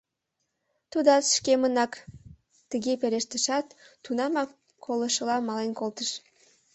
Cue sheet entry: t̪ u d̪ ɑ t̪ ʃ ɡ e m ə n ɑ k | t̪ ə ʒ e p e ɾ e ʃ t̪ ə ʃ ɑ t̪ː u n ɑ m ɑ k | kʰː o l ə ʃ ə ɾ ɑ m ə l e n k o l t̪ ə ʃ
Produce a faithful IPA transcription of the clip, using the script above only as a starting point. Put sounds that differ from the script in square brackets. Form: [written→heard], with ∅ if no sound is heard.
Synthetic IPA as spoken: t̪ u d̪ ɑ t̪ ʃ [ɡ→k] e m ə n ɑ k | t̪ ə [ʒ→ɣ] e p e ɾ e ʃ t̪ ə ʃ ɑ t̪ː u n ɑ m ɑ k | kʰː o l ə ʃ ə [ɾ→l] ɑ m [ə→ɑ] l e n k o l t̪ ə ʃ